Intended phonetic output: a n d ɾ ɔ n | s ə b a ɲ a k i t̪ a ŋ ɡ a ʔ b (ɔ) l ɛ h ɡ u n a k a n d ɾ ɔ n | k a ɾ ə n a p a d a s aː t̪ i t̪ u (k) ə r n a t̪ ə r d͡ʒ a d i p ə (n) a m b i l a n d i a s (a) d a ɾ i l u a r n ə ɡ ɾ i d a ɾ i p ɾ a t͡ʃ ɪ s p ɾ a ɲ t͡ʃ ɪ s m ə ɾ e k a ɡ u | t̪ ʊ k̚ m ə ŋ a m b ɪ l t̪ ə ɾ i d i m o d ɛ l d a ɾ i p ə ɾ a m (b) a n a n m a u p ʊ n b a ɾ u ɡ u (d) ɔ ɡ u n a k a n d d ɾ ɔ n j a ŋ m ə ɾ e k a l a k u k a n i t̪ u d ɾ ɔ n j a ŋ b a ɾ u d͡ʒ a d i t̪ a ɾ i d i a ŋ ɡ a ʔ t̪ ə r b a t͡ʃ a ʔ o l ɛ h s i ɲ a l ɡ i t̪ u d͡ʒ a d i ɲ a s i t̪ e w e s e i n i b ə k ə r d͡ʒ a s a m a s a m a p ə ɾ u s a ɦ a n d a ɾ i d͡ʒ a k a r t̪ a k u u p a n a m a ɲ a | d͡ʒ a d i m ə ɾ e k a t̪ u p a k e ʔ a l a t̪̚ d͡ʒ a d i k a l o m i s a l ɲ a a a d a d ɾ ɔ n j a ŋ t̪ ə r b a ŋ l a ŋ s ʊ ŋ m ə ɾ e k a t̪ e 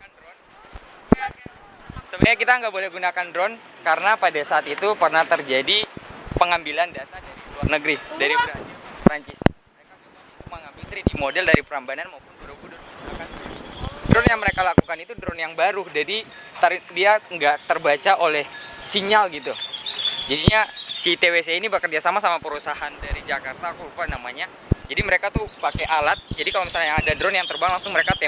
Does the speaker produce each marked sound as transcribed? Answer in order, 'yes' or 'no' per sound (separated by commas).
no, no, no, yes, yes, yes